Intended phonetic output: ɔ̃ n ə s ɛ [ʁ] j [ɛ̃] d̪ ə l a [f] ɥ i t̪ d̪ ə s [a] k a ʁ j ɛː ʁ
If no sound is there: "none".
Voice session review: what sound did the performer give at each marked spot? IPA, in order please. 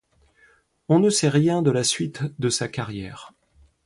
ʁ, ɛ̃, s, a

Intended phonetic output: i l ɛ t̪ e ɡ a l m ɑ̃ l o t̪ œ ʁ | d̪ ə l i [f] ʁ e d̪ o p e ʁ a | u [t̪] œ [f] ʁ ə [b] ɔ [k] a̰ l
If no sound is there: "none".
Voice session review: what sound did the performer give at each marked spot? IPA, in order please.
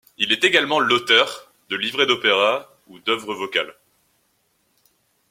v, d̪, v, v, k

